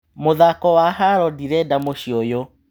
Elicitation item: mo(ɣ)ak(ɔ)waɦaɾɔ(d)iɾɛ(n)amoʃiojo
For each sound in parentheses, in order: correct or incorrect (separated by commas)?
incorrect, correct, correct, incorrect